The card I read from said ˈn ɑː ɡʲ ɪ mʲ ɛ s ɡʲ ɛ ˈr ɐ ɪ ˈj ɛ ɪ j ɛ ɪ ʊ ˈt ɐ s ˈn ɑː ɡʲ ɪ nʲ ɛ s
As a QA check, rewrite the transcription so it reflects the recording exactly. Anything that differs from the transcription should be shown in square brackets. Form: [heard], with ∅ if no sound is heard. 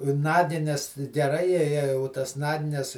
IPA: ˈn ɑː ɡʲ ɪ [nʲ] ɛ s ɡʲ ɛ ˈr ɐ ɪ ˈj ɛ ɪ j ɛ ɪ ʊ ˈt ɐ s ˈn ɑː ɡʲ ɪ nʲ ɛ s